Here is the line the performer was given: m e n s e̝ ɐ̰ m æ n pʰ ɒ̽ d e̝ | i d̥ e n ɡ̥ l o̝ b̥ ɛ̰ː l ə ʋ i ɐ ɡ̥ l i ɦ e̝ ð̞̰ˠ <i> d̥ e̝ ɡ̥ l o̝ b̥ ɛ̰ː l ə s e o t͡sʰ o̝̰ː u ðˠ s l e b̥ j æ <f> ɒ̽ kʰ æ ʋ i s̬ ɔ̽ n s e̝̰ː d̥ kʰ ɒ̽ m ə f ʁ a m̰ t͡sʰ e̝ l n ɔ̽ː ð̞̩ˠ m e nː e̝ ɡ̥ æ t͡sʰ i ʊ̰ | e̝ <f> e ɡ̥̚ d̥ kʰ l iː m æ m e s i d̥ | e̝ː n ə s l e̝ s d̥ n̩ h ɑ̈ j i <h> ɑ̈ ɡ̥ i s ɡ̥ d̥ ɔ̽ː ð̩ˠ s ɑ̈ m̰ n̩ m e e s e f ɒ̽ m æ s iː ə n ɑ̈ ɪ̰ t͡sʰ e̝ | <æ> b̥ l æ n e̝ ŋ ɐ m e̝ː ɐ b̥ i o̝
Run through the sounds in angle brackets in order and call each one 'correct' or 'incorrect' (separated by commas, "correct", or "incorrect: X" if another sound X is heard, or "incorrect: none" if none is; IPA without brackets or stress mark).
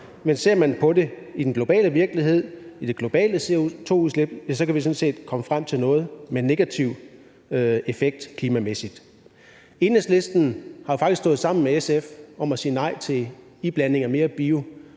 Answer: correct, incorrect: s, correct, incorrect: f, incorrect: i